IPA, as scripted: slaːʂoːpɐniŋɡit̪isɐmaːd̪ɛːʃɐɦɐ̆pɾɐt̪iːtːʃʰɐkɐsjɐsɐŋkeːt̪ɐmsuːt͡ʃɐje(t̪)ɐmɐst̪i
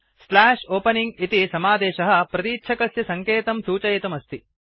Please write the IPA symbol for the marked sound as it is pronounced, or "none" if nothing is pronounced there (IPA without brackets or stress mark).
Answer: t̪